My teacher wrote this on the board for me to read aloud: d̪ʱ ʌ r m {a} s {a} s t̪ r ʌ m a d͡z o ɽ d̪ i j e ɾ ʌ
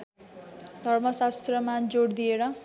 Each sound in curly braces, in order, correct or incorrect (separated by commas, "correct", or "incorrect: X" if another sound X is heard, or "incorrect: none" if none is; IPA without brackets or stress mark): incorrect: ʌ, correct